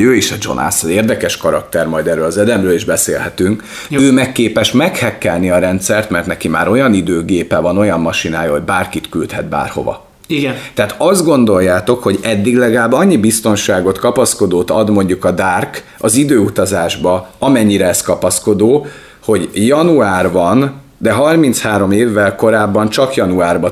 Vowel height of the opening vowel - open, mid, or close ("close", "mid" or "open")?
mid